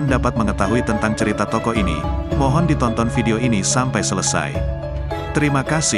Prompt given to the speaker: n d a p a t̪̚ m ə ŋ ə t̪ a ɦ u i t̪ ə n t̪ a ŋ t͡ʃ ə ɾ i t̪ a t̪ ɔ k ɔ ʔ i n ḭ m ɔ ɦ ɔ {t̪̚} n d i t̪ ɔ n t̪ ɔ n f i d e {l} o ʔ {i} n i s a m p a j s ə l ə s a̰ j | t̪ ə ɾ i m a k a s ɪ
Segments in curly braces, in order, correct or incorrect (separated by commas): incorrect, incorrect, correct